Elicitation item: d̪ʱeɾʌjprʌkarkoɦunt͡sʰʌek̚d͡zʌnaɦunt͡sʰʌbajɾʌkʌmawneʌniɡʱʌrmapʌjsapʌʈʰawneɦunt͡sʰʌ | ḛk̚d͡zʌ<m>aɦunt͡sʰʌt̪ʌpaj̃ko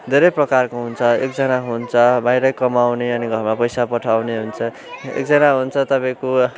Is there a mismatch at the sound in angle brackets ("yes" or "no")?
yes